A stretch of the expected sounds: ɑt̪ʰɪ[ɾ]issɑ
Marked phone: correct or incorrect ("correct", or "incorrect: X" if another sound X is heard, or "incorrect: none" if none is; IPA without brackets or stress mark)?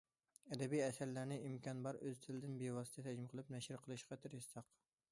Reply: correct